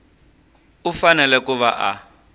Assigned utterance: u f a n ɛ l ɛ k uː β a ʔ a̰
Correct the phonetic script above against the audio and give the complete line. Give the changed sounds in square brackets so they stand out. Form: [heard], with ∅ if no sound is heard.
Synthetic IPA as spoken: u f a n ɛ l ɛ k [u] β a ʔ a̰